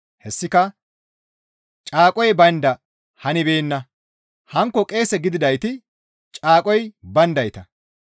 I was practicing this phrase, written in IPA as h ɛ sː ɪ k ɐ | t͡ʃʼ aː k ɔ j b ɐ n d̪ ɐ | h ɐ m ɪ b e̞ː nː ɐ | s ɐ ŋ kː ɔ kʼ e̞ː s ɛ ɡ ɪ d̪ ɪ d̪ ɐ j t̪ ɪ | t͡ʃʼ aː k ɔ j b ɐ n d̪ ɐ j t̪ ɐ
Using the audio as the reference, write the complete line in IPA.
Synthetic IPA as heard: h ɛ sː ɪ k ɐ | t͡ʃʼ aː kʼ ɔ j b ɐ n d̪ ɐ | h ɐ n ɪ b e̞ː nː ɐ | h ɐ ŋ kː ɔ kʼ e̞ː s ɛ ɡ ɪ d̪ ɪ d̪ ɐ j t̪ ɪ | t͡ʃʼ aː kʼ ɔ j b ɐ n d̪ ɐ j t̪ ɐ